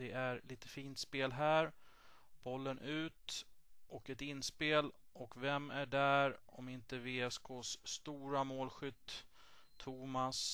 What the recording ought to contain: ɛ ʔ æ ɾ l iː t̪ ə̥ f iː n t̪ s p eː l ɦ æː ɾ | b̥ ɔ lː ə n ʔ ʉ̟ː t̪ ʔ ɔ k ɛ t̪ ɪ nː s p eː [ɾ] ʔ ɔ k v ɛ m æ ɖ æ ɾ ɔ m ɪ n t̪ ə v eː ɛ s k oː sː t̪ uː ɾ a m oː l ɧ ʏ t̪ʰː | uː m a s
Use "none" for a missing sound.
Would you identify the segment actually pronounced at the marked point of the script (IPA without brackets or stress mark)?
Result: l